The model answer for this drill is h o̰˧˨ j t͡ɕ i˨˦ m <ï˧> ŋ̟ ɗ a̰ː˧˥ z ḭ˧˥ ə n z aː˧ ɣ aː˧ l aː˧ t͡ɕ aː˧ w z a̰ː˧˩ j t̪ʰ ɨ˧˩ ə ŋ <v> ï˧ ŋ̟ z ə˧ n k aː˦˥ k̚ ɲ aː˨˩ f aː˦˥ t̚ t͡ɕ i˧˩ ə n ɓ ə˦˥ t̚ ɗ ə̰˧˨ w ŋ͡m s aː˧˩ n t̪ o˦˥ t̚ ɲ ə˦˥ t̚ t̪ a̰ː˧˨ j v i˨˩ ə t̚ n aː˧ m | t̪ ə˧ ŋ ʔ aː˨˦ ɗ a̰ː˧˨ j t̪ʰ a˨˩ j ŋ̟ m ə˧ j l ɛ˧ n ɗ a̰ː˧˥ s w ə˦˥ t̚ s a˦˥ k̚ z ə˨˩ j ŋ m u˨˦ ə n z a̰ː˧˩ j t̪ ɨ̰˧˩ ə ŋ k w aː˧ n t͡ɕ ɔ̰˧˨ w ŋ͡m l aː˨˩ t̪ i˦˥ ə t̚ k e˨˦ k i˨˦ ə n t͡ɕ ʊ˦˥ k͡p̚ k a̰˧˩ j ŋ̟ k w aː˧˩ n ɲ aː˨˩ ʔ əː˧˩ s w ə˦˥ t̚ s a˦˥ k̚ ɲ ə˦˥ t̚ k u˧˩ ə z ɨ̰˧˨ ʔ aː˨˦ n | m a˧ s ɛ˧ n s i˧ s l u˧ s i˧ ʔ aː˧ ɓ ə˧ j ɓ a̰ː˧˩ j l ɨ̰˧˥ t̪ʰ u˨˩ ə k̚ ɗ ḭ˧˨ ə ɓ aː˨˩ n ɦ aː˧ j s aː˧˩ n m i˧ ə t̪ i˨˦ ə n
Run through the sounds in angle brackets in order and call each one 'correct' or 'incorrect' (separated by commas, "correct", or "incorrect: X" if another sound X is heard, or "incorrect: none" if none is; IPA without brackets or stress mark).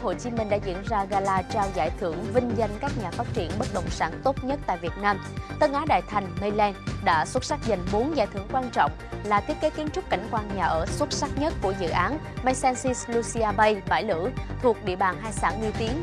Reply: incorrect: ï˨˩, correct